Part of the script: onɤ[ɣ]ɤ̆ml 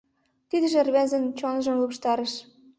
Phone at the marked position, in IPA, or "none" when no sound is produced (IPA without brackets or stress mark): ʒ